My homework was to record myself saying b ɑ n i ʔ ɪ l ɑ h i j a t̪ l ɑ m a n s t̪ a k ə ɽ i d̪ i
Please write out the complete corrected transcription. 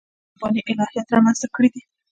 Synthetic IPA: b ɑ n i ʔ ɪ l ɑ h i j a t̪ ɾ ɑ m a n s t̪ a k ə ɽ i d̪ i